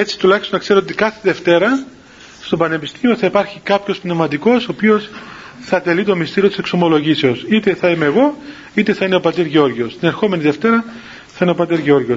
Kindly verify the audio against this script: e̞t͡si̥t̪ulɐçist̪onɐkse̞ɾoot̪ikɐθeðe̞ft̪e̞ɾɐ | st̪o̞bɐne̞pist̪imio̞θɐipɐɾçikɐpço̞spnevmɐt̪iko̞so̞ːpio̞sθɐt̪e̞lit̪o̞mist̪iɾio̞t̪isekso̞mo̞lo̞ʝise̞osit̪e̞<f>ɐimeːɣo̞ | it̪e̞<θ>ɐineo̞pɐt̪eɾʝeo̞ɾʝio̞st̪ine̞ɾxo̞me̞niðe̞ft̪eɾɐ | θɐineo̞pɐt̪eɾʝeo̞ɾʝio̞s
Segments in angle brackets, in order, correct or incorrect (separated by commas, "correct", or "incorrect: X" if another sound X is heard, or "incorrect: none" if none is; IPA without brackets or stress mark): incorrect: θ, correct